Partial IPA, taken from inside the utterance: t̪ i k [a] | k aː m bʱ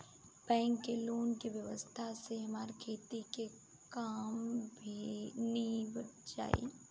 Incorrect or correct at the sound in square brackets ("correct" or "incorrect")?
incorrect